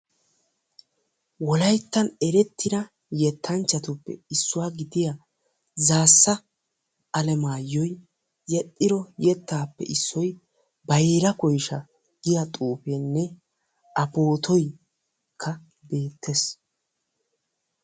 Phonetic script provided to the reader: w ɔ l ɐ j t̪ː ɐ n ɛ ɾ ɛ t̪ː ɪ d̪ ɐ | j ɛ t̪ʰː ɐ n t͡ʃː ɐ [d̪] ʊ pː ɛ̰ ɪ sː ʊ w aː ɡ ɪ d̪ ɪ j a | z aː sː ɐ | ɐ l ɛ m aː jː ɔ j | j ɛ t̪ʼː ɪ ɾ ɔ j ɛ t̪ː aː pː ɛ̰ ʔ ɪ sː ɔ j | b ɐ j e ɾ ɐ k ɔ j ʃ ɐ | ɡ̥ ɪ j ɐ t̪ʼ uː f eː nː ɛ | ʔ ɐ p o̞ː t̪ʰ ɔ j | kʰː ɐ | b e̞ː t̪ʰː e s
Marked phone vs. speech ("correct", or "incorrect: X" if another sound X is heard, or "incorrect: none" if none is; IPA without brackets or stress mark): incorrect: t̪